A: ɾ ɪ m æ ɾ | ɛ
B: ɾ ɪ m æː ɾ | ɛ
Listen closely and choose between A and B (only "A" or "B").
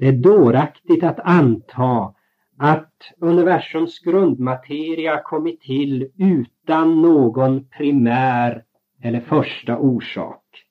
B